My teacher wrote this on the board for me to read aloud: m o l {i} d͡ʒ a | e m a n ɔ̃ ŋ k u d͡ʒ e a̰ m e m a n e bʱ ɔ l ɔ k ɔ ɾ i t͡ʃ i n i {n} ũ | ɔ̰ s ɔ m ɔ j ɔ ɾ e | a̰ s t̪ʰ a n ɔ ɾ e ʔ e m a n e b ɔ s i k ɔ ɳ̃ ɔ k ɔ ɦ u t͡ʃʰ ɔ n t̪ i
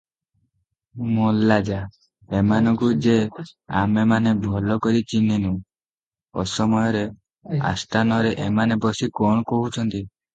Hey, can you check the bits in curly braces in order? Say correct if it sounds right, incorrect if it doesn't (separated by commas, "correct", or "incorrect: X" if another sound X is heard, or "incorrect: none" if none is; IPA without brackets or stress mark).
incorrect: a, correct